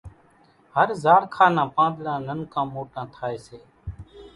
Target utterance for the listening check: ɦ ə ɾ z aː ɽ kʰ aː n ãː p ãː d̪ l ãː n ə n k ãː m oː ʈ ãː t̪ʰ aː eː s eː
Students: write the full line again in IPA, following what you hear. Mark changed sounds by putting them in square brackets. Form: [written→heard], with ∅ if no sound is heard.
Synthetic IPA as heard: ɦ ə ɾ z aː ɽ kʰ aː n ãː p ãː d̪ l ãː n ə n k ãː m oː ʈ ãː t̪ʰ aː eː s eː

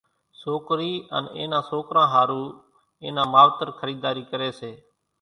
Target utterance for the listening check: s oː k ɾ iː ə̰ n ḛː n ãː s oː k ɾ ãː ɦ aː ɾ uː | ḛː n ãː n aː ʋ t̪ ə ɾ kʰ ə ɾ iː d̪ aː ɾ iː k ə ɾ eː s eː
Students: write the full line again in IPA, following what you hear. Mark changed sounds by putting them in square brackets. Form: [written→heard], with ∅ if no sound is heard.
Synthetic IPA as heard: s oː k ɾ iː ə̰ n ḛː n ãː s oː k ɾ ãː ɦ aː ɾ uː | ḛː n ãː [n→m] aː ʋ t̪ ə ɾ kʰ ə ɾ iː d̪ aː ɾ iː k ə ɾ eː s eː

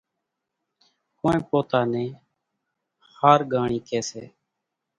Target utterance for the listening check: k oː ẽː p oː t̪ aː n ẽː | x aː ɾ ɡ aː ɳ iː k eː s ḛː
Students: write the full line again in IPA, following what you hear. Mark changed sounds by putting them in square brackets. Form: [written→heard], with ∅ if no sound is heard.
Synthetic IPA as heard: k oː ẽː p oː t̪ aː n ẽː | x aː ɾ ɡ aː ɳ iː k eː s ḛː

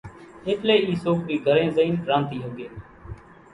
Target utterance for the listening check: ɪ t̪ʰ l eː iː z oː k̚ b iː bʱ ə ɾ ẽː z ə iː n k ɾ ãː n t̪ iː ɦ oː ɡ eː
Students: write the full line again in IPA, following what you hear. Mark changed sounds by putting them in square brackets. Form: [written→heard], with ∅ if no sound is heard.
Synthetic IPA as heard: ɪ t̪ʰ l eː iː [z→s] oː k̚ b iː [bʱ→ɡʱ] ə ɾ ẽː z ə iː n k ɾ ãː n t̪ iː ɦ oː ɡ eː

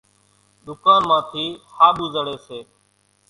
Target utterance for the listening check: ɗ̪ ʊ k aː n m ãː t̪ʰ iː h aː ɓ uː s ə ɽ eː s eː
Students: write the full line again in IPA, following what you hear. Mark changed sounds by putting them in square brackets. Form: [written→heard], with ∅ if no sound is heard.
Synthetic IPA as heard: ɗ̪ ʊ k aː n m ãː t̪ʰ iː h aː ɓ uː [s→z] ə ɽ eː s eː

